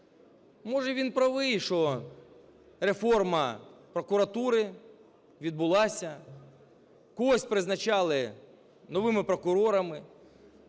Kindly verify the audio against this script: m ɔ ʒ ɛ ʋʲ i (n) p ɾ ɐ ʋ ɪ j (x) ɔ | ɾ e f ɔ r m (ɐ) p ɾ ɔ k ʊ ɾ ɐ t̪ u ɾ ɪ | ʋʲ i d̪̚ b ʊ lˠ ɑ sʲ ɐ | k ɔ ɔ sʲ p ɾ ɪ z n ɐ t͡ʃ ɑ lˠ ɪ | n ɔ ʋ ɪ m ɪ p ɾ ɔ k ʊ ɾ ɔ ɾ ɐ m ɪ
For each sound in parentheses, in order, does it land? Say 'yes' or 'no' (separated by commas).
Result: yes, no, yes